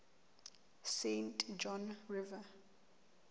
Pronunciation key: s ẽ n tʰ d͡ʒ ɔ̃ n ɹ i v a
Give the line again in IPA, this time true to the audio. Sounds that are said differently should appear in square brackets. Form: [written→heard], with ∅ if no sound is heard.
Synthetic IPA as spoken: s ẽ n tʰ d͡ʒ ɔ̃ n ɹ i v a

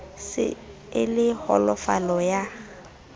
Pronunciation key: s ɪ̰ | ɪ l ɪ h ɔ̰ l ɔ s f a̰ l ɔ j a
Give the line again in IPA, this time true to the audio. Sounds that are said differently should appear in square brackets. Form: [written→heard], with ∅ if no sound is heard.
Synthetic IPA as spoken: s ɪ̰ | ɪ l ɪ h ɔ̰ l ɔ [s→∅] f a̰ l ɔ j a

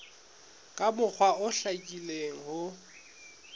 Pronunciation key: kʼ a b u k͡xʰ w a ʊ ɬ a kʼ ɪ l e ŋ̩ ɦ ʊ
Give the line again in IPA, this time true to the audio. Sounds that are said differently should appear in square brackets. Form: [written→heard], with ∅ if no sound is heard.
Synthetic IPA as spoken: kʼ a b [u→ʊ] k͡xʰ w a ʊ ɬ a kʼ [ɪ→i] l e ŋ̩ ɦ ʊ

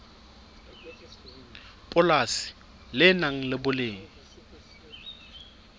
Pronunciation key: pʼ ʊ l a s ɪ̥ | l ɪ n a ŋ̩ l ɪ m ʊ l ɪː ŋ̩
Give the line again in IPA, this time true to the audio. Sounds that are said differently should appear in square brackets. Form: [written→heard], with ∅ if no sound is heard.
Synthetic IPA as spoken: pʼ ʊ l a s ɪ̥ | l ɪ n a ŋ̩ l ɪ [m→b] ʊ l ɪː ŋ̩

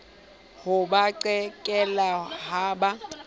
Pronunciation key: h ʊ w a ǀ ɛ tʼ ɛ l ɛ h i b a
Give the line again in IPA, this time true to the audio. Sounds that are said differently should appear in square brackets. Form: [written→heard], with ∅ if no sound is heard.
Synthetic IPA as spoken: h ʊ [w→b] a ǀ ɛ [tʼ→kʼ] ɛ l [ɛ→a] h [i→a] b a

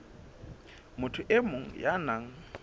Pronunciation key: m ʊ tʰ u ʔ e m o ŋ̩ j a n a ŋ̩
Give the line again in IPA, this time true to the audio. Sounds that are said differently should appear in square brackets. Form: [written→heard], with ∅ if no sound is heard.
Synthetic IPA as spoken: m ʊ tʰ [u→ʊ] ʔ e m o ŋ̩ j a n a ŋ̩

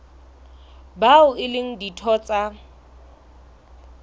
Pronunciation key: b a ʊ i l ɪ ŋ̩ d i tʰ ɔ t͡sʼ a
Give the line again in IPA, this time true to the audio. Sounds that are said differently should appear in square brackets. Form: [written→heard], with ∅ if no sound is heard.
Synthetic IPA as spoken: b a ʊ [i→ɪ] l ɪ ŋ̩ d i tʰ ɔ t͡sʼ a

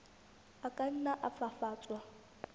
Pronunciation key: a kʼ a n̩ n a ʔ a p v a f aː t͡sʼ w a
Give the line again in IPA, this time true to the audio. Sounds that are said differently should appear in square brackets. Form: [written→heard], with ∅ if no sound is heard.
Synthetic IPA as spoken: a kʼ a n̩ n a ʔ a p [v→f] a f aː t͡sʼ w a

